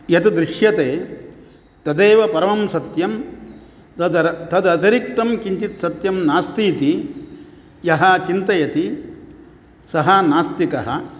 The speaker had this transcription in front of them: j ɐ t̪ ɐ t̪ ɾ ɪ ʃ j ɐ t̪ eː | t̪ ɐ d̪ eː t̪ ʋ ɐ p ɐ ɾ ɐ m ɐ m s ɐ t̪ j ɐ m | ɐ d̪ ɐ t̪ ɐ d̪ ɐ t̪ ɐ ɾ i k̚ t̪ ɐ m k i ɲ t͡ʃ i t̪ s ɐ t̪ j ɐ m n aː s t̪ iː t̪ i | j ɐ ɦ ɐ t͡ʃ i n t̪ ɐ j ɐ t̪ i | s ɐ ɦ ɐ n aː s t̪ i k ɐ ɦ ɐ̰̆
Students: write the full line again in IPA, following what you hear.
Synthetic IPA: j ɐ t̪ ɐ d̪ ɾ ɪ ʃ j ɐ t̪ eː | t̪ ɐ d̪ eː ʋ ɐ p ɐ ɾ ɐ m ɐ m s ɐ t̪ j ɐ m | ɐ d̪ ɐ t̪ ɐ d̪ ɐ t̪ ɐ ɾ i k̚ t̪ ɐ m k i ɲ t͡ʃ i t̪ s ɐ t̪ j ɐ m n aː s t̪ iː t̪ i | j ɐ ɦ ɐ t͡ʃ i n t̪ ɐ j ɐ t̪ i | s ɐ ɦ ɐ n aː s t̪ i k ɐ ɦ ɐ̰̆

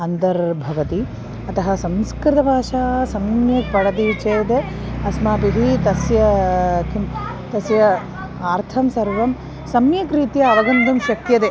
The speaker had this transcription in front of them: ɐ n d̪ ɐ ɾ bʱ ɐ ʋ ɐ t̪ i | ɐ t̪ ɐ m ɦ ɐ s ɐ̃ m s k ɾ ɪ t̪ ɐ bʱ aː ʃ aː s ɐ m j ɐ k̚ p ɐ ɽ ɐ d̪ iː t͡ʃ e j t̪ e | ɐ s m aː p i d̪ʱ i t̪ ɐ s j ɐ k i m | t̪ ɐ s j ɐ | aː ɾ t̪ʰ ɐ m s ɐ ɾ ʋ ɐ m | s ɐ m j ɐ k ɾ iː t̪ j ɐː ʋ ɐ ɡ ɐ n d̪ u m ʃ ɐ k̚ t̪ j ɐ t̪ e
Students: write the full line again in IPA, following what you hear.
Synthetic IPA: ɐ n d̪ ɐ ɾ bʱ ɐ ʋ ɐ t̪ i | ɐ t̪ ɐ ɦ ɐ s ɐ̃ m s k ɾ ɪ t̪ ɐ bʱ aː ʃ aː s ɐ m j ɐ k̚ p ɐ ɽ ɐ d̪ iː t͡ʃ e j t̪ e | ɐ s m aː p i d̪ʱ i t̪ ɐ s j ɐ k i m | t̪ ɐ s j ɐ | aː ɾ t̪ʰ ɐ m s ɐ ɾ ʋ ɐ m | s ɐ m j ɐ k ɾ iː t̪ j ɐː ʋ ɐ ɡ ɐ n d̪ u m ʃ ɐ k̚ t̪ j ɐ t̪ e

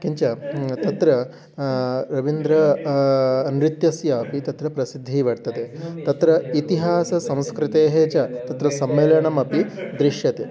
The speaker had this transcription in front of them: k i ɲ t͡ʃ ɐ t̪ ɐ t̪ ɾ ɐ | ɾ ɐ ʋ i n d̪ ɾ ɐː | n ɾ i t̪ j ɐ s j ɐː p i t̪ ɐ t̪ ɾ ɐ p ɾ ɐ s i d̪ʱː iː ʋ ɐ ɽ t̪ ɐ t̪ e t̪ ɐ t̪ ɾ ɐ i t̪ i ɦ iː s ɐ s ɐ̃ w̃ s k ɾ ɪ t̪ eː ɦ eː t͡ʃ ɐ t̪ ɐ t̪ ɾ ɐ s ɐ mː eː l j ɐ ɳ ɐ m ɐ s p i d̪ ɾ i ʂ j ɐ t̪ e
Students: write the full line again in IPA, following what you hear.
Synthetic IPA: k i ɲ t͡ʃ ɐ t̪ ɐ t̪ ɾ ɐ | ɾ ɐ ʋ i n d̪ ɾ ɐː | n ɾ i t̪ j ɐ s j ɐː p i t̪ ɐ t̪ ɾ ɐ p ɾ ɐ s i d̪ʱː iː ʋ ɐ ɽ t̪ ɐ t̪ e t̪ ɐ t̪ ɾ ɐ i t̪ i ɦ aː s ɐ s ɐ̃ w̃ s k ɾ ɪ t̪ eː ɦ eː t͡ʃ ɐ t̪ ɐ t̪ ɾ ɐ s ɐ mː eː l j ɐ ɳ ɐ m ɐ p i d̪ ɾ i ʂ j ɐ t̪ e

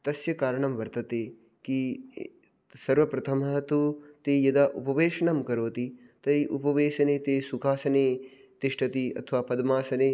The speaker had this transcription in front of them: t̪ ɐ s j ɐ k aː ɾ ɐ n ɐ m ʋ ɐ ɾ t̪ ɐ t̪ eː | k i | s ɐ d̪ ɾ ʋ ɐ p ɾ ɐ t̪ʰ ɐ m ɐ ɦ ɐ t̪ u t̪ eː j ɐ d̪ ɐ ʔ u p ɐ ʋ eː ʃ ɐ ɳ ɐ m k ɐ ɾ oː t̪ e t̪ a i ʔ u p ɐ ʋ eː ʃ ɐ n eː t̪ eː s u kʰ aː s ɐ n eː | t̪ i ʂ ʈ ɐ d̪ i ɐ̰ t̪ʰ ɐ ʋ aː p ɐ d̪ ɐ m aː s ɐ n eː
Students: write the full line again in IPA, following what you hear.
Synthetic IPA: t̪ ɐ s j ɐ k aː ɾ ɐ ɳ ɐ m ʋ ɐ ɾ t̪ ɐ t̪ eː | k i | s ɐ ɾ ʋ ɐ p ɾ ɐ t̪ʰ ɐ m ɐ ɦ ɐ t̪ u t̪ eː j ɐ d̪ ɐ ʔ u p ɐ ʋ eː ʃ ɐ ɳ ɐ m k ɐ ɾ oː t̪ i t̪ ɐ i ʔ u p ɐ ʋ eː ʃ ɐ n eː t̪ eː s u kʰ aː s ɐ n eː | t̪ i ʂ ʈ ɐ t̪ i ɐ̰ t̪ʰ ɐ ʋ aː p ɐ d̪ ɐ m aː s ɐ n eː

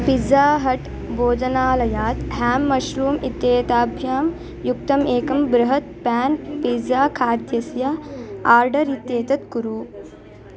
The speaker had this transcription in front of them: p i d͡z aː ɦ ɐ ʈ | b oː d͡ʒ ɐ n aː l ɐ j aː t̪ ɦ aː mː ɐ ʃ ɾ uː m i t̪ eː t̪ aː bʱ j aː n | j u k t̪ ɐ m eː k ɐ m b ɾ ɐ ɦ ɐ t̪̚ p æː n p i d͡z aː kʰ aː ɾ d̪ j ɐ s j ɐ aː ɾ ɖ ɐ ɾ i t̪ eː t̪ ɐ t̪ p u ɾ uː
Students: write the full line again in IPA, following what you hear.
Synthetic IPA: p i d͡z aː ɦ ɐ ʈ | b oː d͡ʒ ɐ n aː l ɐ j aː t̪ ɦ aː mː ɐ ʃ ɾ uː m i t̪ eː t̪ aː bʱ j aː m | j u k t̪ ɐ m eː k ɐ m b ɾ ɐ ɦ ɐ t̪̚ p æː n p i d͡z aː kʰ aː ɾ d̪ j ɐ s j ɐ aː ɾ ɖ ɐ ɾ i t̪ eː t̪ ɐ t̪ k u ɾ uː

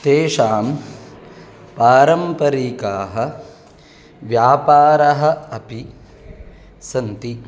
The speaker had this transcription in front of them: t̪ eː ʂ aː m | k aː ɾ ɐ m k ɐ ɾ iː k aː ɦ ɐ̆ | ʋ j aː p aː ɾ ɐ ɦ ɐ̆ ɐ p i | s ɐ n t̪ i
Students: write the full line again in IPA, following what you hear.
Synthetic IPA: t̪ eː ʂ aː m | p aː ɾ ɐ m p ɐ ɾ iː k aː ɦ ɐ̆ | ʋ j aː p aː ɾ ɐ ɦ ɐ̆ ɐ p i | s ɐ n t̪ i

